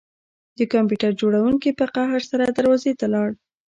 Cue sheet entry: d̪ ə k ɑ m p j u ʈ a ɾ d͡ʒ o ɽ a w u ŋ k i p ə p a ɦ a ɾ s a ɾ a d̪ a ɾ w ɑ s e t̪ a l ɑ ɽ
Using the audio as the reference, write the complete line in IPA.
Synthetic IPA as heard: d̪ ə k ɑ m p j u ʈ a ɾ d͡ʒ o ɽ a w u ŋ k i p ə q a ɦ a ɾ s a ɾ a d̪ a ɾ w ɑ z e t̪ a l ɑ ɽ